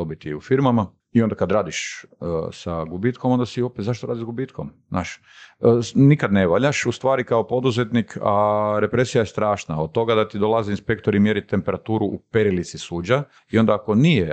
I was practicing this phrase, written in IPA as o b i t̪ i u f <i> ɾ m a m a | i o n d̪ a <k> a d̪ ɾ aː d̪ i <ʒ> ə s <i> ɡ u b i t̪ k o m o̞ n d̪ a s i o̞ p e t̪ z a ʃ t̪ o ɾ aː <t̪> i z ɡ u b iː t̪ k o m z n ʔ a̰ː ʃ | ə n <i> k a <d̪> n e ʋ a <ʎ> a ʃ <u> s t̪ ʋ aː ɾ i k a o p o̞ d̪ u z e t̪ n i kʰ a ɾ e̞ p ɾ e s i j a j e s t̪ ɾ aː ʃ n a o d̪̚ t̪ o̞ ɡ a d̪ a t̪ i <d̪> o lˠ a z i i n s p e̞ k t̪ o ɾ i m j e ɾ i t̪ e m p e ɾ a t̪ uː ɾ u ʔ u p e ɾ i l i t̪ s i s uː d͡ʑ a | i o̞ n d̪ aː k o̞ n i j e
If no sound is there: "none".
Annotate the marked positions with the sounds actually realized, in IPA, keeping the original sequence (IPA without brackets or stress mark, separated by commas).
i, k, ʃ, a, d̪, i, d̪, ʎ, u, d̪